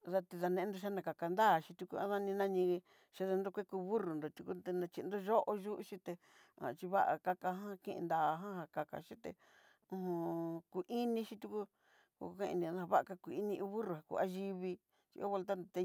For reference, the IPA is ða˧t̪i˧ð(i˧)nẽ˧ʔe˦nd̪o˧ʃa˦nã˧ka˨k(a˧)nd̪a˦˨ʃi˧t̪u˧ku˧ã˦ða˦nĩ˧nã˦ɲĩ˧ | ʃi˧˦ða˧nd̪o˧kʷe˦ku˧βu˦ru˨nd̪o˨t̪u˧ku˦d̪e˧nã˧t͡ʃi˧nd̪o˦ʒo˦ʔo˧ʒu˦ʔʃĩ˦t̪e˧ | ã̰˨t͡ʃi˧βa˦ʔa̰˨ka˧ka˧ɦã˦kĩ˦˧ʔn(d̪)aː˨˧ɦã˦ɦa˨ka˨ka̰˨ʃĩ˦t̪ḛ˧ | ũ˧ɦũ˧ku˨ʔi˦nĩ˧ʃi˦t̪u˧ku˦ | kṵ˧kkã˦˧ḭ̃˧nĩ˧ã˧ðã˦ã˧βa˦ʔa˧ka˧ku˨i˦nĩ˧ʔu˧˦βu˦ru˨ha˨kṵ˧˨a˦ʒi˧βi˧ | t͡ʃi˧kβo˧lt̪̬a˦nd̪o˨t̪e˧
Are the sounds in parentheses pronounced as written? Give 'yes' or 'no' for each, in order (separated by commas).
no, yes, yes